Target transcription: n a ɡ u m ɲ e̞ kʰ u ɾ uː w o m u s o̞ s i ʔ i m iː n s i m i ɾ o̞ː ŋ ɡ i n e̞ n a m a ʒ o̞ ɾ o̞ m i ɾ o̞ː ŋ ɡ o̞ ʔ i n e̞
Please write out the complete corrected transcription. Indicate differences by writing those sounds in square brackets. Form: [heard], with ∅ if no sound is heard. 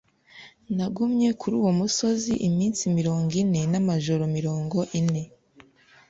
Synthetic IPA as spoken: n a ɡ u m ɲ e̞ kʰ u ɾ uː w o m u s o̞ [z] i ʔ i m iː n s i m i ɾ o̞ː ŋ ɡ i n e̞ n a m a ʒ o̞ ɾ o̞ m i ɾ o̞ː ŋ ɡ o̞ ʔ i n e̞